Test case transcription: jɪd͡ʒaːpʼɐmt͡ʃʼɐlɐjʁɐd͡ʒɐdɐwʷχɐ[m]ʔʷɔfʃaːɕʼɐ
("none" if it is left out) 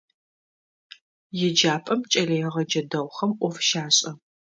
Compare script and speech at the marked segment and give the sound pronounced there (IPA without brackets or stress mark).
m